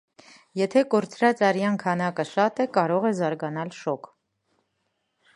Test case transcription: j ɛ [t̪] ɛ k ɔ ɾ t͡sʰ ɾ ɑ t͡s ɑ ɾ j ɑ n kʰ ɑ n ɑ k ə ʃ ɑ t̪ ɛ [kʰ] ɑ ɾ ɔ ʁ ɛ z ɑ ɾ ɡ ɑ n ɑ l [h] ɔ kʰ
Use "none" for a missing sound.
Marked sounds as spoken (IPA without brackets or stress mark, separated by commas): t̪ʰ, k, ʃ